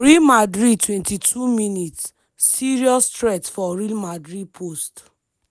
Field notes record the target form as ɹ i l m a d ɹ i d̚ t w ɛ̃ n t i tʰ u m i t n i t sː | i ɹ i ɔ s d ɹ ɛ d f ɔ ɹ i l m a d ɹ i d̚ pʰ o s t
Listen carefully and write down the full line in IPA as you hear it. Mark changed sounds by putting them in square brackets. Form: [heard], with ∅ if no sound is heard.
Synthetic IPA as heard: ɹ i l m a d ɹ i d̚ t w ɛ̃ n t i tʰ u m i [∅] n i t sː | i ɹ i ɔ s [t] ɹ ɛ [t] f ɔ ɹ i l m a d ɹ i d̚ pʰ o s t